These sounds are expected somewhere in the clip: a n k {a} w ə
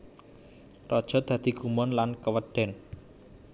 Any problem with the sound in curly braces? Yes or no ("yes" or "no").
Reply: yes